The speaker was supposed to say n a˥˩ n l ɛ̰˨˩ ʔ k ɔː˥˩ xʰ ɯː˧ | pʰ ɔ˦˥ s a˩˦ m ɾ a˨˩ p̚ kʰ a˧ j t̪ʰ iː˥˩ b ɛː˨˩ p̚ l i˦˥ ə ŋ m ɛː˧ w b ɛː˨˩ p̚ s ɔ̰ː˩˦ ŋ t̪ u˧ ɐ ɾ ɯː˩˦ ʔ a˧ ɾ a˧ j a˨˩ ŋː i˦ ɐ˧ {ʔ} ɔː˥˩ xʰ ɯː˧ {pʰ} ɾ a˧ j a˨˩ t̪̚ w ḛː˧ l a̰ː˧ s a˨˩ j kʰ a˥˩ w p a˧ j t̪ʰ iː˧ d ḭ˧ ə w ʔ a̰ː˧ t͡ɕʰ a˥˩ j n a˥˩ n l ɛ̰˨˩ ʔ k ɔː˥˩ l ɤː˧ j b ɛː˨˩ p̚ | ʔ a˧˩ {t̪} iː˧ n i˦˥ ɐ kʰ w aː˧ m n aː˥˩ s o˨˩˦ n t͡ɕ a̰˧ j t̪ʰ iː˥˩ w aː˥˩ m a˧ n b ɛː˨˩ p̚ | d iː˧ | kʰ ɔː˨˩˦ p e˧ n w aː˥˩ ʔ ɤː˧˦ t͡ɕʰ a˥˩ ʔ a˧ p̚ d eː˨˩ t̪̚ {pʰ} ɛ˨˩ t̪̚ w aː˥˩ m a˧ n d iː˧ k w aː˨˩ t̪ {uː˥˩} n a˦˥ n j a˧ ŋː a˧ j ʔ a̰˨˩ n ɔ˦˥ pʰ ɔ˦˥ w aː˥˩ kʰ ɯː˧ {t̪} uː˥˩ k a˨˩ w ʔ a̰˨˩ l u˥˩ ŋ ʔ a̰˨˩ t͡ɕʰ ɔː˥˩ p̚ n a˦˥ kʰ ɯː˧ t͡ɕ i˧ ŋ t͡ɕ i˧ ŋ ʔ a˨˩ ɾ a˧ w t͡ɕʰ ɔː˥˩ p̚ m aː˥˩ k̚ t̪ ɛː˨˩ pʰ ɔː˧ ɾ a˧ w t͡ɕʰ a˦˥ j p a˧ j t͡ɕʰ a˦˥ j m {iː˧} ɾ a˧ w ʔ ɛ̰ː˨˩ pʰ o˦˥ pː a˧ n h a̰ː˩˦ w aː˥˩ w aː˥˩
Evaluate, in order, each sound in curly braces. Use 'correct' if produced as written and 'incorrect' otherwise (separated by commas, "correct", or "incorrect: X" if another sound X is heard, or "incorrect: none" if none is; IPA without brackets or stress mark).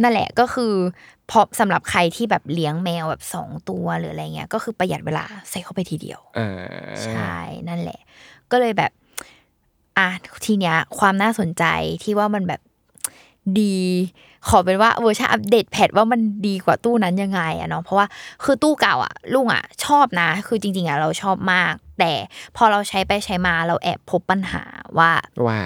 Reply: incorrect: k, incorrect: p, incorrect: t̪ʰ, correct, correct, correct, incorrect: aː˧